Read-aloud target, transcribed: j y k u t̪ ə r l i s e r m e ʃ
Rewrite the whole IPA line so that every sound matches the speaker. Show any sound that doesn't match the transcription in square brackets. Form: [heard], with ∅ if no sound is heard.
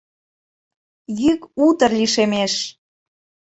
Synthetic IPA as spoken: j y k u t̪ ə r l i [ʃ] e [∅] m e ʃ